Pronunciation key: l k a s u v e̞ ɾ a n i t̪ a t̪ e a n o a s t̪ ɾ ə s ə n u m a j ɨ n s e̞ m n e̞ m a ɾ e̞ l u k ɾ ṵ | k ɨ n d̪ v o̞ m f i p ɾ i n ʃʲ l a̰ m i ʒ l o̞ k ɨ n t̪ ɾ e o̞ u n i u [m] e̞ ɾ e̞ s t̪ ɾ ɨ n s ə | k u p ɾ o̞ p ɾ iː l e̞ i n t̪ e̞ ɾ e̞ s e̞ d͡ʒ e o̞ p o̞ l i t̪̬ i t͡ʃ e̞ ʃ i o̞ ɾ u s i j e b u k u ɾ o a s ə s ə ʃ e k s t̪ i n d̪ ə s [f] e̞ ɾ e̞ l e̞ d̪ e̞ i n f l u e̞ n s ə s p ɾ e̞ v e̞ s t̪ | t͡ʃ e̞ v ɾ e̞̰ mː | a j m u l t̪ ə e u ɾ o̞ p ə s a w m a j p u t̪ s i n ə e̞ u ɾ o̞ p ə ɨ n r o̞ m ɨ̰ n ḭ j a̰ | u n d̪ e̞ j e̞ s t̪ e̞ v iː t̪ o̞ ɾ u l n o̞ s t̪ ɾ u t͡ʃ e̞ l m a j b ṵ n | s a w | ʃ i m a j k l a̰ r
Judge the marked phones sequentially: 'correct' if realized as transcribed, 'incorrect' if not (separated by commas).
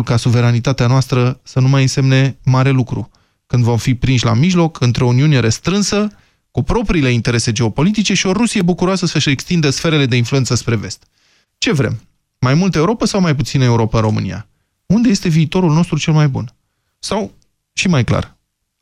incorrect, correct